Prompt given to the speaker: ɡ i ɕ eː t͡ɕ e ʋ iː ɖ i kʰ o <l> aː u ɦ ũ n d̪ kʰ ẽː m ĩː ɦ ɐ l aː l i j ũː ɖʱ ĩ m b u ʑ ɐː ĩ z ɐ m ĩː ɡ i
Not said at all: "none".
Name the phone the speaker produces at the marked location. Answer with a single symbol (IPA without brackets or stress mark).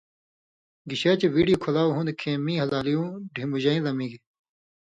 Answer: l